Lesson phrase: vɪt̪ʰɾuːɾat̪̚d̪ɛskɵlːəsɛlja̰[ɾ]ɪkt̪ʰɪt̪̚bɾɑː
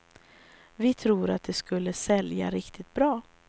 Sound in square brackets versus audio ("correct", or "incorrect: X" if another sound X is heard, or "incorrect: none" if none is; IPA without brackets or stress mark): correct